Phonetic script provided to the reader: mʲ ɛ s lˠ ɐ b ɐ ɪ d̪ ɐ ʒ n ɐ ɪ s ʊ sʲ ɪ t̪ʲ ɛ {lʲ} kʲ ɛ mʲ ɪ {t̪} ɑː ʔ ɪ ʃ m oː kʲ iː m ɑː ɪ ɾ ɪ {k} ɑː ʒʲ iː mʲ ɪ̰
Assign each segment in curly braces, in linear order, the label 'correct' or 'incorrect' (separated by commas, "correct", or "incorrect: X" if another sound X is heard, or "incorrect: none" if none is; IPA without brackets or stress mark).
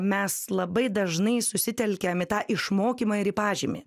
correct, correct, incorrect: p